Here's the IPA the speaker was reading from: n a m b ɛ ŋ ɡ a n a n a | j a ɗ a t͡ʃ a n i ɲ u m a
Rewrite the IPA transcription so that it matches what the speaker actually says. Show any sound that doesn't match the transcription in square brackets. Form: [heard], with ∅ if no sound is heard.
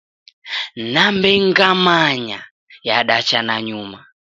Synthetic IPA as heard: n a m b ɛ ŋ ɡ a [m] a [ɲ] a | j a ɗ a t͡ʃ a n [a] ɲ u m a